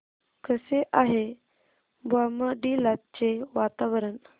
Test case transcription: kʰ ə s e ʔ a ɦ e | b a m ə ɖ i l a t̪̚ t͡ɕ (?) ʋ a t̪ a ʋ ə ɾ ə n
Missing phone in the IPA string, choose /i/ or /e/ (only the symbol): e